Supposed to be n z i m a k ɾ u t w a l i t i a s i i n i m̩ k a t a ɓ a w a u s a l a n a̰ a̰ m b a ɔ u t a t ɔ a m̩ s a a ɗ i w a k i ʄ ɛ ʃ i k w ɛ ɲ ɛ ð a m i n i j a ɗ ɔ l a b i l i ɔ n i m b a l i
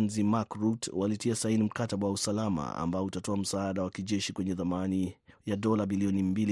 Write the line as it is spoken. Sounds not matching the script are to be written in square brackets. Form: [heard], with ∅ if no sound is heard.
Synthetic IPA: n z i m a k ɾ u t w a l i t i a s [a] i n i m̩ k a t a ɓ a w a u s a l a [m] a̰ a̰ m b a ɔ u t a t ɔ a m̩ s a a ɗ [a] w a k i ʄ ɛ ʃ i k w ɛ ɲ ɛ ð a m [a] n i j a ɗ ɔ l a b i l i ɔ n i m b [i] l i